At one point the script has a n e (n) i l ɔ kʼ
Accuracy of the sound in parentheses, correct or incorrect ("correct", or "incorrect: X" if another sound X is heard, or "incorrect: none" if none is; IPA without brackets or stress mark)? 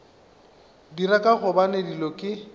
incorrect: d